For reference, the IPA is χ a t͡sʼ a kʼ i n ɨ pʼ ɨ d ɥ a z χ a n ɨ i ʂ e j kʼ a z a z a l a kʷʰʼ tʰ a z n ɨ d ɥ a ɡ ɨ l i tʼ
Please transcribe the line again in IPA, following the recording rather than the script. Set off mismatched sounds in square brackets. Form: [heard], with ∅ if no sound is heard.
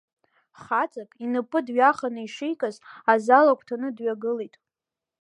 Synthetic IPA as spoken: χ a t͡sʼ a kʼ i n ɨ pʼ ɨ d ɥ a [∅] χ a n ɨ i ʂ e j kʼ a z a z a l a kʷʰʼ tʰ a [∅] n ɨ d ɥ a ɡ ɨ l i tʼ